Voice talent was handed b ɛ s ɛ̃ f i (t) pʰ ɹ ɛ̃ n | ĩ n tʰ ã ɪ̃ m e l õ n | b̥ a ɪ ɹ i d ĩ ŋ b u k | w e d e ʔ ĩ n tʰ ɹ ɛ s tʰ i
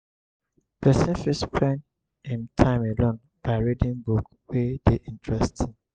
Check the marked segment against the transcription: incorrect: s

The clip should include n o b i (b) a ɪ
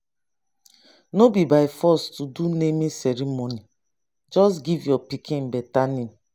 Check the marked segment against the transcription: correct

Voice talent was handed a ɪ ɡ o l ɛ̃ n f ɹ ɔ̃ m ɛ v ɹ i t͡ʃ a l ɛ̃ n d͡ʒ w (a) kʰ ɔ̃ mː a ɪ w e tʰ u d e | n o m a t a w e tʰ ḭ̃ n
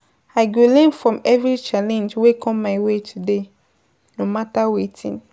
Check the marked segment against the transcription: incorrect: e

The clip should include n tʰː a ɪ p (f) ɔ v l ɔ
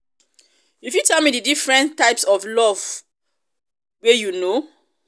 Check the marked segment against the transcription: incorrect: s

